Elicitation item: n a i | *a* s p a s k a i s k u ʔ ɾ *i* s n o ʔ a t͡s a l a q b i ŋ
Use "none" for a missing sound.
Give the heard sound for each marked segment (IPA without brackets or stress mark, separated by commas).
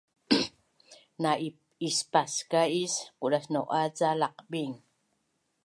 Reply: i, a